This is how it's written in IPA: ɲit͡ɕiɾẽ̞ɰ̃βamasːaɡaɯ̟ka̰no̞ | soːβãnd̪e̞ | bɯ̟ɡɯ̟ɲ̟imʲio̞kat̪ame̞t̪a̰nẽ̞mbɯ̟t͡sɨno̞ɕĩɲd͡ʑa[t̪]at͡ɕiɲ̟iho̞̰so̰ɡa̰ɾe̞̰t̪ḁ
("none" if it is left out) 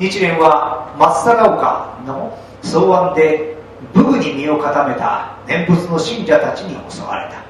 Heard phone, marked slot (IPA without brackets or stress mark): t̪